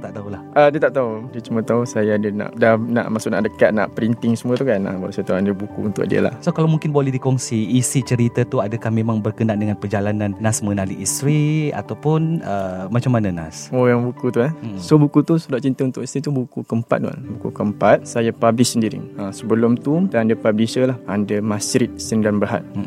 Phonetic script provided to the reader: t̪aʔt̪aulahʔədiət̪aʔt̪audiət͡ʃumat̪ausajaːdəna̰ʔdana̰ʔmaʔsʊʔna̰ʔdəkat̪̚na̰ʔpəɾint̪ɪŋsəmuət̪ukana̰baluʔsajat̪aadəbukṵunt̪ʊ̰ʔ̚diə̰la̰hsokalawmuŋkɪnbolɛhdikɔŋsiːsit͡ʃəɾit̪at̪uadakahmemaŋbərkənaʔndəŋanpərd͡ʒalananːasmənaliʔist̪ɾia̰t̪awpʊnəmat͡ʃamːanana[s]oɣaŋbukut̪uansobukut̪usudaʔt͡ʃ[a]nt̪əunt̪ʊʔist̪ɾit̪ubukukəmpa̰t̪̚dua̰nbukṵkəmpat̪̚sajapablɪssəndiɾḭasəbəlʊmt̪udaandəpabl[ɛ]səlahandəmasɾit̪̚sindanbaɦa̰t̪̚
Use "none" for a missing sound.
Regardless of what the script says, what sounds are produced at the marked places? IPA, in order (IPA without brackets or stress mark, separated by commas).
s, i, i